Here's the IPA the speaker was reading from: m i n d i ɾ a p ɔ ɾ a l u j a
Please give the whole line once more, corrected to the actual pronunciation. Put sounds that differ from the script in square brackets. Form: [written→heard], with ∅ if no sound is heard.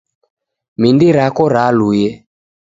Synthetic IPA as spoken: m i n d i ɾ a [p→k] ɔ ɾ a l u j [a→ɛ]